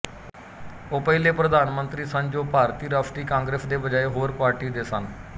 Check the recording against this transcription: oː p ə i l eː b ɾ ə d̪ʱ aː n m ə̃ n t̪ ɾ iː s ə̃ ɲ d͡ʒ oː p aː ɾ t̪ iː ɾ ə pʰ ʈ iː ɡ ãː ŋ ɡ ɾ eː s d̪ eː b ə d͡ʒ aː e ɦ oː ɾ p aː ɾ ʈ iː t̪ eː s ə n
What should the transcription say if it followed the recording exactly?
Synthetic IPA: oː p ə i l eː p ɾ ə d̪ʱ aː n m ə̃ n t̪ ɾ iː s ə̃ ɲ d͡ʒ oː p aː ɾ t̪ iː ɾ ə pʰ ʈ iː k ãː ŋ ɡ ɾ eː s d̪ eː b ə d͡ʒ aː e ɦ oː ɾ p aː ɾ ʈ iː d̪ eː s ə n